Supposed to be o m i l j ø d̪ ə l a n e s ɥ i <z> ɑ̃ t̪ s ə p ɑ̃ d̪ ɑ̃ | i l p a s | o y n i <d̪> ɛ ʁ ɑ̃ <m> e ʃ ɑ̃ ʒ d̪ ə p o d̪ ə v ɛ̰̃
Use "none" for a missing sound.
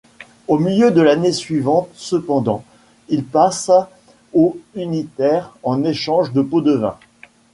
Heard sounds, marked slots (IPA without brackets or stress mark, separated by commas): v, t̪, n